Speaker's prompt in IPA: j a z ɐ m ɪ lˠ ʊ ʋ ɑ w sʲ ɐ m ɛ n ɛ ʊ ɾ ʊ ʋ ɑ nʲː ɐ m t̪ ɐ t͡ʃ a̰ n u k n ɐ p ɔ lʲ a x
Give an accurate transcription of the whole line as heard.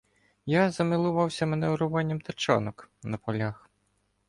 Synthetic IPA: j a z ɐ m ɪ lˠ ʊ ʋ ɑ w sʲ ɐ m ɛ n ɛ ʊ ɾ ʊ ʋ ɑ nʲː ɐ m t̪ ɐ t͡ʃ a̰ n ɔ k n ɐ p ɔ lʲ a x